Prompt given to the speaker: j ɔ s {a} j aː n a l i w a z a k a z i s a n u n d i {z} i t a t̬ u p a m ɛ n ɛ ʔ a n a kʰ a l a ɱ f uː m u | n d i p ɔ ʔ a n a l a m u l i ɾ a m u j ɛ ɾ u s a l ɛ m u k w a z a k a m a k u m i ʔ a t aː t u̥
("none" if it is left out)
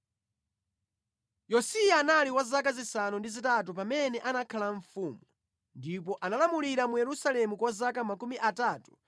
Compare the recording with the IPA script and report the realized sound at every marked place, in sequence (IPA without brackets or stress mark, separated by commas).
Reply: i, z